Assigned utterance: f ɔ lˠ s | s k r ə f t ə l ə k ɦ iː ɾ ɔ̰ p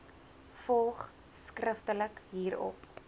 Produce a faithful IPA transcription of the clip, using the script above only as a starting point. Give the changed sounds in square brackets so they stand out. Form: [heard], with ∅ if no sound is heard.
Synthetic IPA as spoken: f ɔ lˠ [χ] | s k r ə f t ə l ə k ɦ iː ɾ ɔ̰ p